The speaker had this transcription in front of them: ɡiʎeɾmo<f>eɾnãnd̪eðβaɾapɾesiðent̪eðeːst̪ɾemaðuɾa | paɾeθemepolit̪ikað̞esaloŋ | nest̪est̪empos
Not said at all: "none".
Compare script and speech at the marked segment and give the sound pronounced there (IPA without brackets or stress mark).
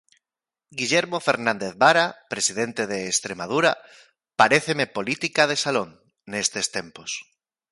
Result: f